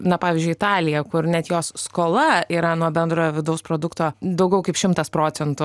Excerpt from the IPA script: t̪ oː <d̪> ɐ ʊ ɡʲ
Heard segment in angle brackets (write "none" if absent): d̪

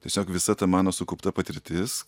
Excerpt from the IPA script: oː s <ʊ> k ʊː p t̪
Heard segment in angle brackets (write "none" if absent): ʊ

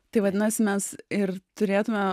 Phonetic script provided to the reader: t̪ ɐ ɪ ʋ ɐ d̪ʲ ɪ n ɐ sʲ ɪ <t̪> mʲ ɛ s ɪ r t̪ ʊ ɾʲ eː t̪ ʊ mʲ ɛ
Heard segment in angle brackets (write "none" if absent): none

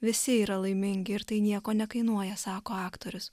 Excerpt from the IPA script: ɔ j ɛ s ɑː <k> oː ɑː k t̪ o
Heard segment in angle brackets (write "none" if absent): k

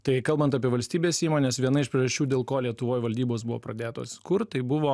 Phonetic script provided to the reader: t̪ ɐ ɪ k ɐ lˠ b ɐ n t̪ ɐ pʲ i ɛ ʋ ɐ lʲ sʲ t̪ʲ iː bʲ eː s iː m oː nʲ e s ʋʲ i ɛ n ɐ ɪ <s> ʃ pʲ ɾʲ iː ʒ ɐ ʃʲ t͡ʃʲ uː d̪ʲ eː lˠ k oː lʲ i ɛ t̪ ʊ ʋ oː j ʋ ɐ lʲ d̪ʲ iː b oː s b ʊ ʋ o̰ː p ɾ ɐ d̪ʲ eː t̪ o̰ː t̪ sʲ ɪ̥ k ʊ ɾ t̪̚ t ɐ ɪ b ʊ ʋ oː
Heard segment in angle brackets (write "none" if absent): none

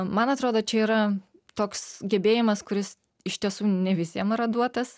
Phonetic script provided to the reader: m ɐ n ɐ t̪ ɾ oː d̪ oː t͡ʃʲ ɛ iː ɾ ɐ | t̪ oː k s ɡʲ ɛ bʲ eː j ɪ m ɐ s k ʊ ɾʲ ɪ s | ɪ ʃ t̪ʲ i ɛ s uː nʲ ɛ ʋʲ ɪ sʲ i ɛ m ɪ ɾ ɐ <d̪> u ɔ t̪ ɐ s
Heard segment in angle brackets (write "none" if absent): d̪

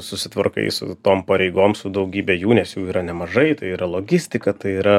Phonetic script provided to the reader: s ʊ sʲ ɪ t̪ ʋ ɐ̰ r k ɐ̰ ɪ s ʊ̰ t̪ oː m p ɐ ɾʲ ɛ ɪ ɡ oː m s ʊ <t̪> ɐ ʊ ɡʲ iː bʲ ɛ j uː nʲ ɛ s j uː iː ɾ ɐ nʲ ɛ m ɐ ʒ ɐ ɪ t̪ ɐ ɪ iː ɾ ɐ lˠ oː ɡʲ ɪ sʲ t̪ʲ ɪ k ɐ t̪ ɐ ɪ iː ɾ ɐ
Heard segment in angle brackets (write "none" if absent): d̪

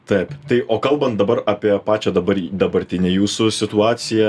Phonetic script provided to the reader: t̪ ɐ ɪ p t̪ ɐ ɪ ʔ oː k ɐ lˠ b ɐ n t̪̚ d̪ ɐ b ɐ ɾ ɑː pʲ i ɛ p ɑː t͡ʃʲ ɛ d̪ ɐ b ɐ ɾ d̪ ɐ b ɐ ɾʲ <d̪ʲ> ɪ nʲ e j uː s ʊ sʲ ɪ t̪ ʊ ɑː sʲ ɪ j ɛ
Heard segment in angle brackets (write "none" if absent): t̪ʲ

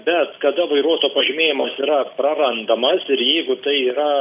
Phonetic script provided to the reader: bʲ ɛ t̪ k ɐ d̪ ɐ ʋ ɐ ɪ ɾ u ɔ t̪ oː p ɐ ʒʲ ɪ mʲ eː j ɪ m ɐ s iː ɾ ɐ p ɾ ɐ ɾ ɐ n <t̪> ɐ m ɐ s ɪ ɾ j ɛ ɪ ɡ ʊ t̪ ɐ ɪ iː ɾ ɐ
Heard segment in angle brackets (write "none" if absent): d̪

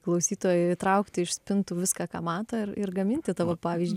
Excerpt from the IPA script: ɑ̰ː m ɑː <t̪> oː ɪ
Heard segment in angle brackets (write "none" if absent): t̪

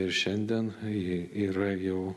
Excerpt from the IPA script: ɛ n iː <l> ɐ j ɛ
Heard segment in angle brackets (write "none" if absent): ɾ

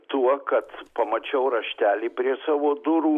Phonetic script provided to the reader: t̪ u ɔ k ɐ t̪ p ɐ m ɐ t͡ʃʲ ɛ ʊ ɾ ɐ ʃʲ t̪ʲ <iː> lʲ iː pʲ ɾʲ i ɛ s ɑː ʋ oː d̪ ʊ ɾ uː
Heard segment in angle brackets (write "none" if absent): æː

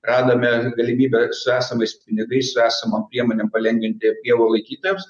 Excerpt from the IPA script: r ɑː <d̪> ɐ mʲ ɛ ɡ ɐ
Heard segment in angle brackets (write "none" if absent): d̪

